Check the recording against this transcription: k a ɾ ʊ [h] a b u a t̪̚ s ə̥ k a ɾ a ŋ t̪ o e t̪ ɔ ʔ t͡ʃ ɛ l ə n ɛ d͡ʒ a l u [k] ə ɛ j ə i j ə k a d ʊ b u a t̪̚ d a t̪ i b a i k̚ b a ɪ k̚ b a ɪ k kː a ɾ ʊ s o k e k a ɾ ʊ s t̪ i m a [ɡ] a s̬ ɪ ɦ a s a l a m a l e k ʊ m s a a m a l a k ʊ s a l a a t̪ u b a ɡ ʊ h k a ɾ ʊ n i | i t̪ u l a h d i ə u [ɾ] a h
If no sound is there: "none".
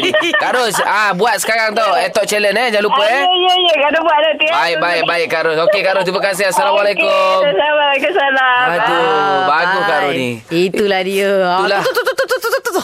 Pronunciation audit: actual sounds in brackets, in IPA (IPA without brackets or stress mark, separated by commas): s, p, k, l